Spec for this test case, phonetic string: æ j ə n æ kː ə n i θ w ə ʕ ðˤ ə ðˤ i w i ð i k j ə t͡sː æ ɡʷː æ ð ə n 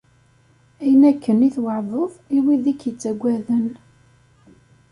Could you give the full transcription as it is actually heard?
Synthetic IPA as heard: æ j ə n æ kː ə n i θ w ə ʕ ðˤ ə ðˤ i w i ð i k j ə t͡sː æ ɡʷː æ ð ə n